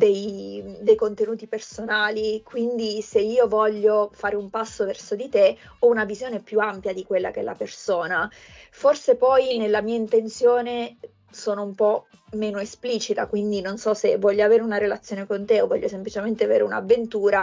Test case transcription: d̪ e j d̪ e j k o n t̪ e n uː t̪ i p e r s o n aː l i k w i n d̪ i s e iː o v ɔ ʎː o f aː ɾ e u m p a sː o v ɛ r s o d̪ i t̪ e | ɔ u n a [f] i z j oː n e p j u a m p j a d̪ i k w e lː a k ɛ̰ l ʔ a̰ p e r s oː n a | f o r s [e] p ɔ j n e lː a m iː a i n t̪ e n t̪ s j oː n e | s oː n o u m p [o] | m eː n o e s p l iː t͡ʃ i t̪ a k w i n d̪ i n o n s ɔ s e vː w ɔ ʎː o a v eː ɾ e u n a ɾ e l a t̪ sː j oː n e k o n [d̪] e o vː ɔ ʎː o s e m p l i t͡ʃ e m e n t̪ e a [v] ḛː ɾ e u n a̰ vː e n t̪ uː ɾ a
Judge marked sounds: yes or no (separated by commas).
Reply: no, yes, no, no, yes